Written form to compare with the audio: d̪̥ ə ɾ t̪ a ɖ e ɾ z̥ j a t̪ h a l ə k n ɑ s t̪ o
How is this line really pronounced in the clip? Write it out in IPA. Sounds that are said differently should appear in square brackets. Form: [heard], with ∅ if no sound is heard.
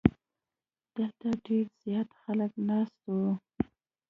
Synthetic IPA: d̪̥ ə [l] t̪ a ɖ e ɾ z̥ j [ɑ] t̪ [x] a l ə k n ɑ s t̪ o